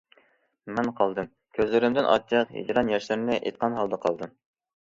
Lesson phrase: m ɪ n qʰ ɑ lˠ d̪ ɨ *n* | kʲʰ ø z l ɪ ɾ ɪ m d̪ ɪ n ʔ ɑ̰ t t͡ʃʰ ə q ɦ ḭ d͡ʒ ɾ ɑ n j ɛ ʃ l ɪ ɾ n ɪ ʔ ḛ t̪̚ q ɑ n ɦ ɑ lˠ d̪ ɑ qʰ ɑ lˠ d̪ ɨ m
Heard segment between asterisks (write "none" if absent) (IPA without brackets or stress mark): m